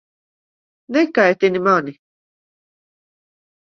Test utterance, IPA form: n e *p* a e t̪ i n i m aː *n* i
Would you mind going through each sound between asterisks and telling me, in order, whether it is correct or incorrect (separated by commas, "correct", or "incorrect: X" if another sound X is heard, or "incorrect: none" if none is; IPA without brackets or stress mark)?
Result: incorrect: k, correct